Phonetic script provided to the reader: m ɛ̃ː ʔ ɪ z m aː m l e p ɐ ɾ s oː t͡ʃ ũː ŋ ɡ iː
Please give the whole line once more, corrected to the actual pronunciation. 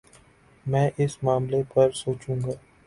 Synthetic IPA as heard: m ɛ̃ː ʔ ɪ s m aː m l e p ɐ ɾ s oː t͡ʃ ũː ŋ ɡ aː